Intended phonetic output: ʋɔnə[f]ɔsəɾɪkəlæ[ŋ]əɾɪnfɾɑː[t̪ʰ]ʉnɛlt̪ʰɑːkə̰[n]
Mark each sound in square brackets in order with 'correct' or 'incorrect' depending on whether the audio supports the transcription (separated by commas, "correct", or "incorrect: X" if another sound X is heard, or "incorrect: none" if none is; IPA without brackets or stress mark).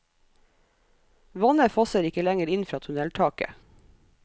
correct, correct, correct, incorrect: none